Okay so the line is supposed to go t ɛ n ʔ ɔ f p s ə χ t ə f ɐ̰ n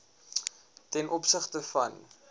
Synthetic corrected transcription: t ɛ n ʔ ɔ p s ə χ t ə f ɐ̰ n